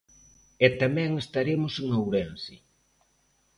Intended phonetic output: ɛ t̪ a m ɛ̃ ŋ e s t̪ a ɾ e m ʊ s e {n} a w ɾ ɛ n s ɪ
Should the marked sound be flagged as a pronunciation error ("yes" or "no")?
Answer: yes